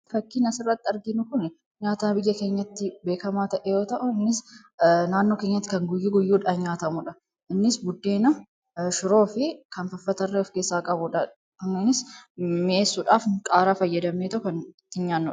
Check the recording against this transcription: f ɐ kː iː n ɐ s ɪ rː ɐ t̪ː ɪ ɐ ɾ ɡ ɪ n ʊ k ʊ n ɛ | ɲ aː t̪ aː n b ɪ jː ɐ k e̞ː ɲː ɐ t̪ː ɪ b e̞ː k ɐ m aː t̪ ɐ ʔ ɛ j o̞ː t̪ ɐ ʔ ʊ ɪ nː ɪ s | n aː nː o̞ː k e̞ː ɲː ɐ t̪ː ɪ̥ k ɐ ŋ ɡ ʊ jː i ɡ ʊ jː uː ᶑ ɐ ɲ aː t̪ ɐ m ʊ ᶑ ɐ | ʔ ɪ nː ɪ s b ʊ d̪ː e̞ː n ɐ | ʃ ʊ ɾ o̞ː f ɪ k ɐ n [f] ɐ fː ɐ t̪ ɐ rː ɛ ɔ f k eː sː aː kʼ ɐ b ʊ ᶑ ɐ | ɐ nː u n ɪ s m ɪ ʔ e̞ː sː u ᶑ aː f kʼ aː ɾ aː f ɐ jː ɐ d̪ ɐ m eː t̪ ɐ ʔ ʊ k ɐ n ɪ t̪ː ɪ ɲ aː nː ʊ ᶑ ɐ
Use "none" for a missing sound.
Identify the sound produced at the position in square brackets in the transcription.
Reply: f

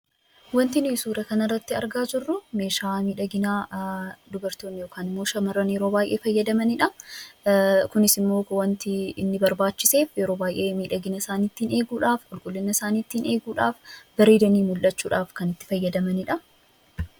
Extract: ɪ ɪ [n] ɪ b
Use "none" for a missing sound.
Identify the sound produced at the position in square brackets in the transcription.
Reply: nː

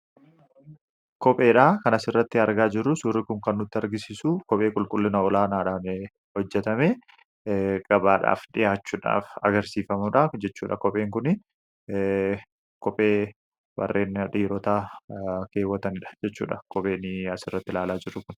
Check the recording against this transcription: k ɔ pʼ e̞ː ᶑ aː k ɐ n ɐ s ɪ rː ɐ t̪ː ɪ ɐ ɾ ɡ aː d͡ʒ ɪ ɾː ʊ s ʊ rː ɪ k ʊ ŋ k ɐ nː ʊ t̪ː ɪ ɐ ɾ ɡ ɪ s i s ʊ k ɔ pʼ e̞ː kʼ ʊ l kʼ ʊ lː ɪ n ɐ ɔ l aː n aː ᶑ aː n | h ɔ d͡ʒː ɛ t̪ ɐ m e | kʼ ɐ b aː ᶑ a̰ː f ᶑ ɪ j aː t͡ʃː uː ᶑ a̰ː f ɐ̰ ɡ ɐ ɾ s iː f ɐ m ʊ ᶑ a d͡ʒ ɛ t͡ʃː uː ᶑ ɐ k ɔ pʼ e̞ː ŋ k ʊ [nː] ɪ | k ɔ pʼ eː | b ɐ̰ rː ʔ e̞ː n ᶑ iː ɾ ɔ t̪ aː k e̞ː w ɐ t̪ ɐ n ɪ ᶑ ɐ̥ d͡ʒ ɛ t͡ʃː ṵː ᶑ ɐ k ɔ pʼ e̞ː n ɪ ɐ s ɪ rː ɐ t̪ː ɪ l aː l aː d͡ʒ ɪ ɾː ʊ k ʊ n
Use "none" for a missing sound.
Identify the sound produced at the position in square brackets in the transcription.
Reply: n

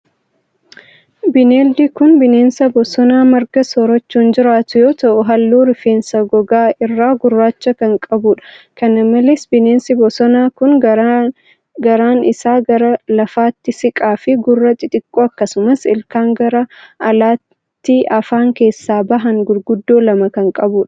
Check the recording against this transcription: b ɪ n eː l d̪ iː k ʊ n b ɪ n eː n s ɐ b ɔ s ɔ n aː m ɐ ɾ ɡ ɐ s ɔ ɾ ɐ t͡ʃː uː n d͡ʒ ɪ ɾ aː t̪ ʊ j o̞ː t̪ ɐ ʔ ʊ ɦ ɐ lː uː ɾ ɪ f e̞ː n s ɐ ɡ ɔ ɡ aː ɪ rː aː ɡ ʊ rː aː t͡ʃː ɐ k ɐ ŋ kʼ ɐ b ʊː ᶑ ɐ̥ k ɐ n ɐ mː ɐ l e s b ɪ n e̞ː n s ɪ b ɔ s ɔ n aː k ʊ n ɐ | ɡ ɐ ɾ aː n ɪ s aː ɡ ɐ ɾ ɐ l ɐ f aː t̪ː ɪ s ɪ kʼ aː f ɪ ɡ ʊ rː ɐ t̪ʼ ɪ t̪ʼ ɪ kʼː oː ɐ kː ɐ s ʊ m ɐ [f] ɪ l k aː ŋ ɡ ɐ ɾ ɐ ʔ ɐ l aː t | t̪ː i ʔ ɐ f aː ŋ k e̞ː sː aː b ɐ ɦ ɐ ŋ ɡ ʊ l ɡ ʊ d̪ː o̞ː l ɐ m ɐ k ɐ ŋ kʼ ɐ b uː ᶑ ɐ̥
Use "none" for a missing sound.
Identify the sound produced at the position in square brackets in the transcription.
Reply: s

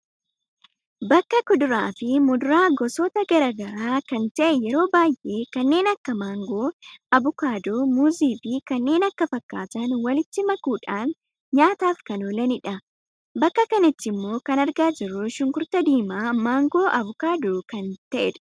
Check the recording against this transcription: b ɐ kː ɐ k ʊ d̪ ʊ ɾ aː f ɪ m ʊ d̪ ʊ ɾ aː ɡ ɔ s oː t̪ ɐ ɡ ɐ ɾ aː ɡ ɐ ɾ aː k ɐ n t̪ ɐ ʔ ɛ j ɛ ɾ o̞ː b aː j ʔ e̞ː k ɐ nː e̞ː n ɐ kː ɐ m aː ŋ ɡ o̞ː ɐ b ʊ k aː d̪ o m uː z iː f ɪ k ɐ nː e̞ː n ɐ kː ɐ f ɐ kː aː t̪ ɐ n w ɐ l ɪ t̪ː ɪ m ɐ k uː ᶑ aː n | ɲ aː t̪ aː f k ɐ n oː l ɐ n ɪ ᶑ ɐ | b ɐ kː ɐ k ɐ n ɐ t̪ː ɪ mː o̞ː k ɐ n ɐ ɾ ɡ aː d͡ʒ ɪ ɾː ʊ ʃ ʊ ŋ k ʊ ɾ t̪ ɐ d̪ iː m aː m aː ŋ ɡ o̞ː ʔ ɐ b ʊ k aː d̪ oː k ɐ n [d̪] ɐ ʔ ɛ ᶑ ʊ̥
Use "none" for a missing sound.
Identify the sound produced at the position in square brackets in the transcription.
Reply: t̪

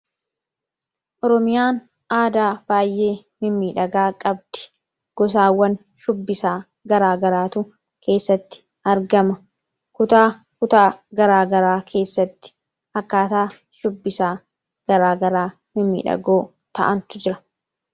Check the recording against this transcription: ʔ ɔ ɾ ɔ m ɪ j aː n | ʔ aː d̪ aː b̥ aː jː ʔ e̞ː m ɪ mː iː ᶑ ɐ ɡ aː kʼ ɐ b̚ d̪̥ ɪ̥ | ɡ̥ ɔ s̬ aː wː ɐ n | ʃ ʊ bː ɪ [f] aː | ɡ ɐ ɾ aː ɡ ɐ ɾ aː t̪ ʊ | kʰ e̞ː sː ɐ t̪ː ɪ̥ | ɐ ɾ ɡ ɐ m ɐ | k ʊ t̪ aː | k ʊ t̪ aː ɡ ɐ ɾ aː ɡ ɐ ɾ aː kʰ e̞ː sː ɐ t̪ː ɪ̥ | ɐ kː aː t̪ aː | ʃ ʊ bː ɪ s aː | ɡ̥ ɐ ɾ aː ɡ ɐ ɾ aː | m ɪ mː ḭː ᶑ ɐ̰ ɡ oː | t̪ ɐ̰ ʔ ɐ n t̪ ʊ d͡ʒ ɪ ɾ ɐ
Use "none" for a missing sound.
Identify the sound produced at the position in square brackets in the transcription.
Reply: s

